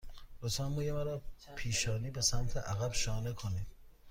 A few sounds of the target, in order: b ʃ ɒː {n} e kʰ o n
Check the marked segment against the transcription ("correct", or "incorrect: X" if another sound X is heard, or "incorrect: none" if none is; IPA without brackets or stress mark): correct